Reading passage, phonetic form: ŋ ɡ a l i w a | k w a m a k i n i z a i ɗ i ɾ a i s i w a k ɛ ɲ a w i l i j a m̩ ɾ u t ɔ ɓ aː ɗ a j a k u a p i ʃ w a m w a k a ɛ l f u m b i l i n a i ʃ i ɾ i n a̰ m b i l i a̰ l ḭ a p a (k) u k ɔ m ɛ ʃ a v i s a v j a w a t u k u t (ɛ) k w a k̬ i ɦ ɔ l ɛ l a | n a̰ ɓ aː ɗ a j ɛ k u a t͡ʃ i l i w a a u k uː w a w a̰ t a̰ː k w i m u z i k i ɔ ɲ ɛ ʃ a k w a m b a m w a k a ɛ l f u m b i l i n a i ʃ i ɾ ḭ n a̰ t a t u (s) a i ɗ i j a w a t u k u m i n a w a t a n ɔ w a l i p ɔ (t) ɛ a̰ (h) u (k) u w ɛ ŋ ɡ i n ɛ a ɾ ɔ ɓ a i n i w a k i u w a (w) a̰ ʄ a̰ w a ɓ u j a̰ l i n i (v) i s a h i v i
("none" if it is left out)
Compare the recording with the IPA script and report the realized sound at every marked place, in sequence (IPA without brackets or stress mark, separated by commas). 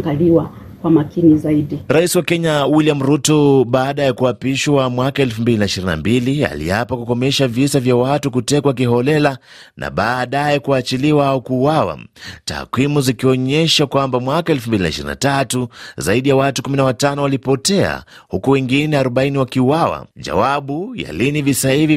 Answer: k, ɛ, z, t, h, k, w, v